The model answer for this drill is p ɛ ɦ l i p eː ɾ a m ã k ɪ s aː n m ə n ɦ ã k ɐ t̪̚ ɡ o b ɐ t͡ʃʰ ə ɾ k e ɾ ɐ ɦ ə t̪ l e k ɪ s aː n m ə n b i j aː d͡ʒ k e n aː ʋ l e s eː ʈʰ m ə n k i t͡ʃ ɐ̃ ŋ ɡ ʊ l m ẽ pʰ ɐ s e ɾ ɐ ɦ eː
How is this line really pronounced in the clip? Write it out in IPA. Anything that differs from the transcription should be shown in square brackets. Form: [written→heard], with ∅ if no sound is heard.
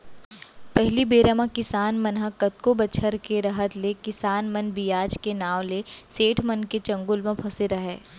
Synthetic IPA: p ɛ ɦ l i [p→b] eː ɾ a m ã k ɪ s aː n m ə n ɦ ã k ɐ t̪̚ [ɡ→k] o b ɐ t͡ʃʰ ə ɾ k e ɾ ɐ ɦ ə t̪ l e k ɪ s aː n m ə n b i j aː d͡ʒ k e n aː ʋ l e s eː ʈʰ m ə n k [i→e] t͡ʃ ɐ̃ ŋ ɡ ʊ l m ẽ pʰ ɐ s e ɾ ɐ ɦ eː